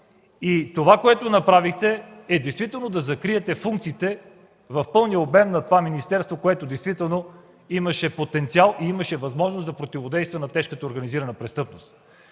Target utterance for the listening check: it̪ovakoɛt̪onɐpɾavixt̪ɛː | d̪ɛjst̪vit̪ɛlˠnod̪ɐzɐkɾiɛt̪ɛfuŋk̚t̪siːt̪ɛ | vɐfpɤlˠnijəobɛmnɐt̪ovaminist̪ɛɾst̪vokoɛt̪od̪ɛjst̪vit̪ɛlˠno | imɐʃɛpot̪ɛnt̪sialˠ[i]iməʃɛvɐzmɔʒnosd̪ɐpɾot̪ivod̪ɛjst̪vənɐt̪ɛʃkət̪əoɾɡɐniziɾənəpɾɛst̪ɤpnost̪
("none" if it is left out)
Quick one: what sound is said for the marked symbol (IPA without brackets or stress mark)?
i